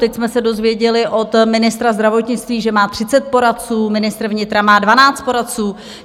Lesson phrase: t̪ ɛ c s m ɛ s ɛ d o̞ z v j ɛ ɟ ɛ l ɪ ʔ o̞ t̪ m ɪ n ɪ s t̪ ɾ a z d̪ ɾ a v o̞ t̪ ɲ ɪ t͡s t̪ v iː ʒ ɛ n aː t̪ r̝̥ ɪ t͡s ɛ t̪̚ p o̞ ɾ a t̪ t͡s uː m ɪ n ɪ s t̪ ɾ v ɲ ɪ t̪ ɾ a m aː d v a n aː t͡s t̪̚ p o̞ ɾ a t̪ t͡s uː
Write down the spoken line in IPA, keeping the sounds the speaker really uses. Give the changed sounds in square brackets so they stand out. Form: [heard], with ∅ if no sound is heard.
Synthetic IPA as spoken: t̪ ɛ c s m ɛ s ɛ d o̞ z v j ɛ ɟ ɛ l ɪ ʔ o̞ t̪ m ɪ n ɪ s t̪ ɾ a z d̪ ɾ a v o̞ t̪ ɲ ɪ t͡s t̪ v iː ʒ ɛ [m] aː t̪ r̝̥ ɪ t͡s ɛ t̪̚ p o̞ ɾ a t̪ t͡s uː m ɪ n ɪ s t̪ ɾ v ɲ ɪ t̪ ɾ a m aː d v a n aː t͡s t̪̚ p o̞ ɾ a t̪ t͡s uː

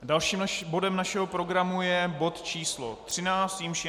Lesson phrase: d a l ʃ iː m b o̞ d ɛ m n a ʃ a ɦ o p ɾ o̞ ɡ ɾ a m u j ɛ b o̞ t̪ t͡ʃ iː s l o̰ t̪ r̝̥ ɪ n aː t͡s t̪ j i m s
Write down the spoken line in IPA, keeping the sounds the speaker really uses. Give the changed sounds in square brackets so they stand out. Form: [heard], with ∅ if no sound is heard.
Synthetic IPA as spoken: d a l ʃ iː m b o̞ d ɛ m n a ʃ [ɛ] ɦ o p ɾ o̞ ɡ ɾ a m u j ɛ b o̞ t̪ t͡ʃ iː s l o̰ t̪ r̝̥ ɪ n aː t͡s t̪ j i m [ʃ]

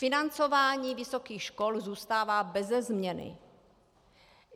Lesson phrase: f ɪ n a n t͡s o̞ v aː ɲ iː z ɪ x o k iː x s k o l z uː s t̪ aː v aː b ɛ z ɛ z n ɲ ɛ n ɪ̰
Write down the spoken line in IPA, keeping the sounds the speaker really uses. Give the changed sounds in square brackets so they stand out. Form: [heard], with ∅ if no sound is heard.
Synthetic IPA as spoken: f ɪ n a n t͡s o̞ v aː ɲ iː [v] ɪ [s] o k iː x [ʃ] k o l z uː s t̪ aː v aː b ɛ z ɛ z [m] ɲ ɛ n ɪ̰

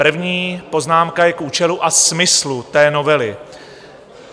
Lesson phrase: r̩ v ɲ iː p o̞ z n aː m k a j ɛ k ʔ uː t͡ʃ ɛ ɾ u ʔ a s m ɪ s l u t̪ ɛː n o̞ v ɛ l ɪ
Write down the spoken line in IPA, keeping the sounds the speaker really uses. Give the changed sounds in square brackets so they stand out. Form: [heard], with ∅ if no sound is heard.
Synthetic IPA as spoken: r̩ v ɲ iː p o̞ z n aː m k a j ɛ k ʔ uː t͡ʃ ɛ [l] u ʔ a s m ɪ s l u t̪ ɛː n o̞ v ɛ l ɪ

